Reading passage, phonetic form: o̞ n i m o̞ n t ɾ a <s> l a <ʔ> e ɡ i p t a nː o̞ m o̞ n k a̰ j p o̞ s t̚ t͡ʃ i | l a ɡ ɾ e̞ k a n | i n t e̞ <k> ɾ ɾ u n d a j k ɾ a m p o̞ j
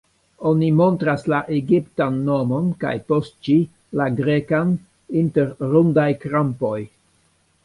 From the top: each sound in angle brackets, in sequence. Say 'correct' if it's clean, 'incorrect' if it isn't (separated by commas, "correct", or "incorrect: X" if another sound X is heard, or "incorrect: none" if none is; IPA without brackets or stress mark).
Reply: correct, correct, incorrect: none